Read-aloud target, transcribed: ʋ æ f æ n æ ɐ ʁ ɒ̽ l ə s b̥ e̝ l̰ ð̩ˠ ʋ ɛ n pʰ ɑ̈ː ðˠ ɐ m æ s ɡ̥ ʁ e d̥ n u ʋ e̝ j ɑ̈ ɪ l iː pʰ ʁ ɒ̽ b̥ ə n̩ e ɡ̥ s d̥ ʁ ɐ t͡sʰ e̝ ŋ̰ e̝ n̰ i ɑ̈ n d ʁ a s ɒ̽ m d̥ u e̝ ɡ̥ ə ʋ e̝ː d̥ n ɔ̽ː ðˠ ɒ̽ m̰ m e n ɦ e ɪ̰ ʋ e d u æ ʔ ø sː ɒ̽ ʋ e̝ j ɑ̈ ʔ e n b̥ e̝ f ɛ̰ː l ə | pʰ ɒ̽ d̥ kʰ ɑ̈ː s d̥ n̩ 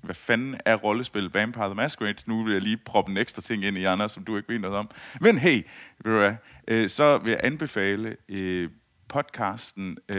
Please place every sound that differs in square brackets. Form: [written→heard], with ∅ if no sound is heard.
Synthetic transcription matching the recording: ʋ æ f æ n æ ɐ ʁ ɒ̽ l ə s b̥ e̝ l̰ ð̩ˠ ʋ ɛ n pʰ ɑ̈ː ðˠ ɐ m æ s ɡ̥ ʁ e d̥ n u ʋ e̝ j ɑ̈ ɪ l iː pʰ ʁ ɒ̽ b̥ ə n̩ e ɡ̥ s d̥ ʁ ɐ t͡sʰ e̝ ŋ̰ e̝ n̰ i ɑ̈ n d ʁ [a→ɐ] s ɒ̽ m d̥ u e̝ ɡ̥ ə ʋ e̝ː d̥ n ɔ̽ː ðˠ ɒ̽ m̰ m e n ɦ e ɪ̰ ʋ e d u æ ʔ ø [sː→s] ɒ̽ ʋ e̝ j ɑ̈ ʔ [e→æ] n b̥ e̝ f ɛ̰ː l ə | pʰ ɒ̽ d̥ kʰ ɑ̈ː s d̥ n̩